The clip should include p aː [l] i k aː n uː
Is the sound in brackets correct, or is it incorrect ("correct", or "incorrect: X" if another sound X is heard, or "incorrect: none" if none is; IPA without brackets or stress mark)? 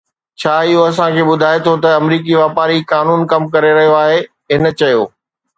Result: incorrect: ɾ